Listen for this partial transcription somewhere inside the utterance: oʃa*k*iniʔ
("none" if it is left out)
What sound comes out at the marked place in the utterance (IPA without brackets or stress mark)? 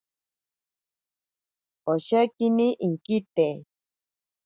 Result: k